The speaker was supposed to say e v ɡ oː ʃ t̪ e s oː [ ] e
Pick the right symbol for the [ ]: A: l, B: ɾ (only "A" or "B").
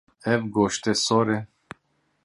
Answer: B